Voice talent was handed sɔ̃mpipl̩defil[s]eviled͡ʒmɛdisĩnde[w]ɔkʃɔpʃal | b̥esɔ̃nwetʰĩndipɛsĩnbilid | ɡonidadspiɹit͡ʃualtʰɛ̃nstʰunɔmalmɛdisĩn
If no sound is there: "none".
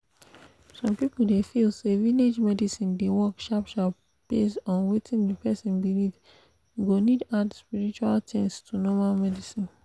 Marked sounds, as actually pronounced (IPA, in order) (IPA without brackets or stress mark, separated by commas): s, w